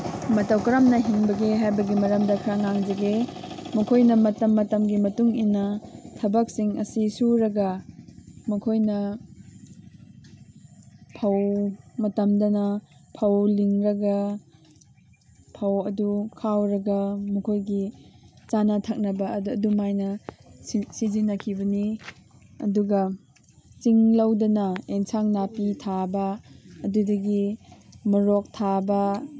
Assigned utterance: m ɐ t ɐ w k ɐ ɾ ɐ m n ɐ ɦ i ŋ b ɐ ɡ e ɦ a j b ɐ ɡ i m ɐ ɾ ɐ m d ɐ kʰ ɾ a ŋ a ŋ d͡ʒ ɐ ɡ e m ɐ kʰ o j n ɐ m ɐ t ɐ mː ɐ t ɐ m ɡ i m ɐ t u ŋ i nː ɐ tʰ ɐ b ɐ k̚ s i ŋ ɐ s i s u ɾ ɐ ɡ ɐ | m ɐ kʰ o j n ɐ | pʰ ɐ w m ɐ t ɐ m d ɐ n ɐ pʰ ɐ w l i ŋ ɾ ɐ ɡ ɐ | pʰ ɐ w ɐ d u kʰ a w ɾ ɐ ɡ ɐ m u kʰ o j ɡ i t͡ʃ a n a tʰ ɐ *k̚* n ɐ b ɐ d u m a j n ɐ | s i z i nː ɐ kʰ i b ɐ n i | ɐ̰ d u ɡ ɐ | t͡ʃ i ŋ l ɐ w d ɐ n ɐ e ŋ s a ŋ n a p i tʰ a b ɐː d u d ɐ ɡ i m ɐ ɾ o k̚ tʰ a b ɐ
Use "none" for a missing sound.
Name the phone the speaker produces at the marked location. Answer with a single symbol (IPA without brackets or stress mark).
k̚